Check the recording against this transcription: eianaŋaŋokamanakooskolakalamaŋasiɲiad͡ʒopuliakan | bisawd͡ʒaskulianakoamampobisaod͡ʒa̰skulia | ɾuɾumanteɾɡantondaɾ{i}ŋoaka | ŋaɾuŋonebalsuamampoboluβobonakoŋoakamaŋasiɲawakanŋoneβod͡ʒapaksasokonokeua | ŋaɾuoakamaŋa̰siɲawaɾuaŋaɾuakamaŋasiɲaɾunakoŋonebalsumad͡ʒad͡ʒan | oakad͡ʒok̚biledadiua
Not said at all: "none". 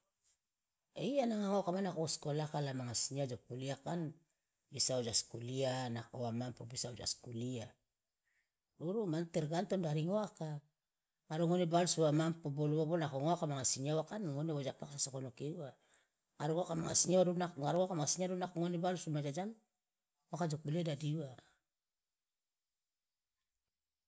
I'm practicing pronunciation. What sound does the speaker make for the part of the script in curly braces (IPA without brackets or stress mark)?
i